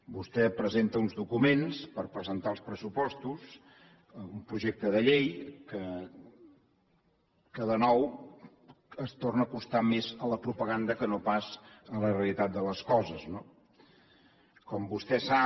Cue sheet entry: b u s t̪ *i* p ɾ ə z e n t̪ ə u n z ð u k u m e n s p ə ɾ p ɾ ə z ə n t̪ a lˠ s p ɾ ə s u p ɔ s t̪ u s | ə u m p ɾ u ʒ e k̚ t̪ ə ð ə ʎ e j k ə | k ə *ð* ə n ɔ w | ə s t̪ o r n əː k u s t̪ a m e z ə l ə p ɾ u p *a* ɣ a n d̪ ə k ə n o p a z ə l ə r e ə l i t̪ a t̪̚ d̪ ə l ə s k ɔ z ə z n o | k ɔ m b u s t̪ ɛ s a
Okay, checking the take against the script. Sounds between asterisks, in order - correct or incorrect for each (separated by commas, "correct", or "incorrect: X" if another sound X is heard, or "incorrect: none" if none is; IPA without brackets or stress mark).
incorrect: ɛ, correct, incorrect: ə